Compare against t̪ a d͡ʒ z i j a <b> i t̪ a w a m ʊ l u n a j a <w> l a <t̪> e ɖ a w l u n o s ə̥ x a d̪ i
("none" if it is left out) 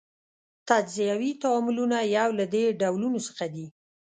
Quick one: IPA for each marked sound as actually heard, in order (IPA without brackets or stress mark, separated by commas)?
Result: w, w, d̪